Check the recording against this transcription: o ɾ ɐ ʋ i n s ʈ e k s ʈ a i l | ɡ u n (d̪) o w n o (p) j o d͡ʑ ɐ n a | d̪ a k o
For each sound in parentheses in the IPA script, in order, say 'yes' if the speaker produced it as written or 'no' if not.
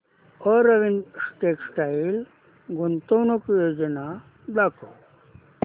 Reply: no, no

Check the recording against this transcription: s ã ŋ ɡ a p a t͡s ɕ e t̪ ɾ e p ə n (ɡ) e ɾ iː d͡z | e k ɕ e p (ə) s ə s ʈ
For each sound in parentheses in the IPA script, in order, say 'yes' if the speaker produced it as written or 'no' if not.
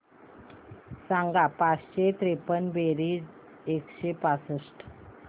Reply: no, no

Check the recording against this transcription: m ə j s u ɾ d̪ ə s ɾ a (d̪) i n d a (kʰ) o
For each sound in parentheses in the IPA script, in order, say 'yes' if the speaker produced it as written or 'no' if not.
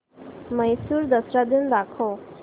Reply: yes, yes

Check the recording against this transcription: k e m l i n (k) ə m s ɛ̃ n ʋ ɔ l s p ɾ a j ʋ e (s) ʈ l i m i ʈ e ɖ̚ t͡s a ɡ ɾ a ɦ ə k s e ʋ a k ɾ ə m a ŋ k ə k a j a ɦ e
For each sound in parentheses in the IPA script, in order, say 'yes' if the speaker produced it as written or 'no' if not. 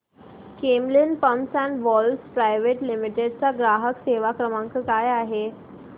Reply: no, no

